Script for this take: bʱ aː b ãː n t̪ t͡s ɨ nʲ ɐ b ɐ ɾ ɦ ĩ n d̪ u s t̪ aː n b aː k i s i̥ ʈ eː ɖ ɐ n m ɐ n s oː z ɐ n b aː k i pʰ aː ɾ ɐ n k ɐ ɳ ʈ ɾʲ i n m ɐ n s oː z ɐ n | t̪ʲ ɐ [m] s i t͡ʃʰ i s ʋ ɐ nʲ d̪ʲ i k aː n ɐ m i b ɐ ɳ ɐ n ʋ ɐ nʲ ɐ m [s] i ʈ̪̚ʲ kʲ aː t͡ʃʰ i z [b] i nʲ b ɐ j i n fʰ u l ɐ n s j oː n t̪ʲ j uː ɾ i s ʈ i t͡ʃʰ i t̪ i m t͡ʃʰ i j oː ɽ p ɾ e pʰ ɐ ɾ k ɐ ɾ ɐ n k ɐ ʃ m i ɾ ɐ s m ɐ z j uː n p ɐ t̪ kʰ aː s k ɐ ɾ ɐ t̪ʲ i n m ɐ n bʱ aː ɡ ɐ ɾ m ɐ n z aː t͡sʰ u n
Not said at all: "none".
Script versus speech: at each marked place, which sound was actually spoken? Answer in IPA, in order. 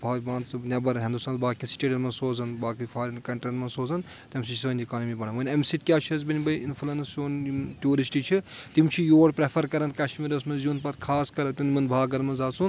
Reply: m, s, b

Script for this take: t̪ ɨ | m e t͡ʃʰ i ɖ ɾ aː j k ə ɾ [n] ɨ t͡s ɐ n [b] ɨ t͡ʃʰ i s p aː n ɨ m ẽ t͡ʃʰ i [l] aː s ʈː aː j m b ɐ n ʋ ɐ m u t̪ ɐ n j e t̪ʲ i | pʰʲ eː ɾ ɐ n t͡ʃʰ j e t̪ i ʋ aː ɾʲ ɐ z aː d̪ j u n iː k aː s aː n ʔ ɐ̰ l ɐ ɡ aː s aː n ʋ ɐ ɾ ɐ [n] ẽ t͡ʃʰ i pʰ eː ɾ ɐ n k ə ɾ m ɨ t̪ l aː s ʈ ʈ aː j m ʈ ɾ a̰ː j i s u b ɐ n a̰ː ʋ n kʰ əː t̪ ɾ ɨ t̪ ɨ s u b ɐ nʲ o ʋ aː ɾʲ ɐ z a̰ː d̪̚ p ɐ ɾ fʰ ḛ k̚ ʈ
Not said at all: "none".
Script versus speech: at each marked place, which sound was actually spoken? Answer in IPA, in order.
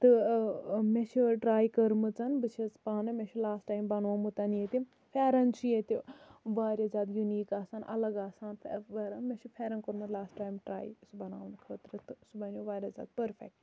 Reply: m, b, l, m

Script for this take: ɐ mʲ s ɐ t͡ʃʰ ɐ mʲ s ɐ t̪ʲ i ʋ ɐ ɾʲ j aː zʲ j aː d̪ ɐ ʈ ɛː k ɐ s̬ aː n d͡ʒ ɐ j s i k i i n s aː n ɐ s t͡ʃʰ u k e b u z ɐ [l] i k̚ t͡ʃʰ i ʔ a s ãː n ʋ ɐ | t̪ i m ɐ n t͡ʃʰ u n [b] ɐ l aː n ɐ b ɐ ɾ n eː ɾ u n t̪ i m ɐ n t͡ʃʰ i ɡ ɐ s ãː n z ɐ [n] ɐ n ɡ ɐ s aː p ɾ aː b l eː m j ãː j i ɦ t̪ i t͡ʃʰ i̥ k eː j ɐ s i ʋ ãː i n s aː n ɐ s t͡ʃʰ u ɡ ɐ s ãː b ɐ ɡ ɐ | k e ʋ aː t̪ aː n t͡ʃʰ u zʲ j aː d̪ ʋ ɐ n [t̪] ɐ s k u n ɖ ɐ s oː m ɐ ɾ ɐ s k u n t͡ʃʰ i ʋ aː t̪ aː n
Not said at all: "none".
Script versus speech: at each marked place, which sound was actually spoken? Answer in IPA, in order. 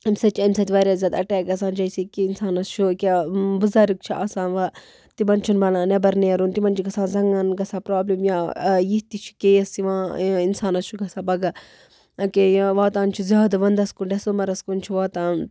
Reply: ɾ, b, ŋ, d̪

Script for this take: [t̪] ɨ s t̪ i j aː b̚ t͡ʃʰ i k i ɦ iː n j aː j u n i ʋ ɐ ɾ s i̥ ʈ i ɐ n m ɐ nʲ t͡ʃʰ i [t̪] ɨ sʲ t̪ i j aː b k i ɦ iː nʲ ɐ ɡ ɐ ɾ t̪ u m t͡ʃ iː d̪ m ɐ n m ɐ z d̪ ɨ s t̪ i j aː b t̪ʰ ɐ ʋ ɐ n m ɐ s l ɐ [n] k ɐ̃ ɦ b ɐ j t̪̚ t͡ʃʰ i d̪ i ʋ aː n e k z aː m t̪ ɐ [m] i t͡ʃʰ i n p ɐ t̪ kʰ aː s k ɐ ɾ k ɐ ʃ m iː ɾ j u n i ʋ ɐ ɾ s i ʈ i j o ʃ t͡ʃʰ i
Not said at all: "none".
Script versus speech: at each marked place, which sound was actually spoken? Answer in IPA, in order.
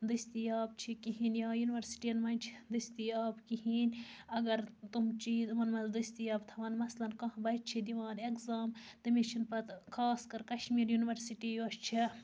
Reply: d̪, d̪, n, m

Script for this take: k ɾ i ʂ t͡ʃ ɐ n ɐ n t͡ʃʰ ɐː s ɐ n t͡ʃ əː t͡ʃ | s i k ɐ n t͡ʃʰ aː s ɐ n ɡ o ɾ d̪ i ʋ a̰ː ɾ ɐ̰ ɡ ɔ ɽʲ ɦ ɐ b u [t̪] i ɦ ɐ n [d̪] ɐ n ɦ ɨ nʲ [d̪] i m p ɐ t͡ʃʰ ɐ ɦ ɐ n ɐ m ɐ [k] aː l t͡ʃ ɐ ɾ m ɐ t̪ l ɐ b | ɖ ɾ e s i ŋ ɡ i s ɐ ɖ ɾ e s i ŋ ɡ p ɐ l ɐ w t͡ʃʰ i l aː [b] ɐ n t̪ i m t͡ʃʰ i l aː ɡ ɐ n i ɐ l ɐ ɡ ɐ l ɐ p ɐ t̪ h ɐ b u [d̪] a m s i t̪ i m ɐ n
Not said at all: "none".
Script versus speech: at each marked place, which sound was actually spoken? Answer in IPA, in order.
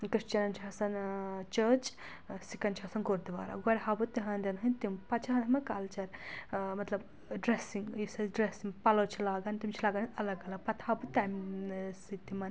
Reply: t̪, d̪, t̪, k, ɡ, t̪

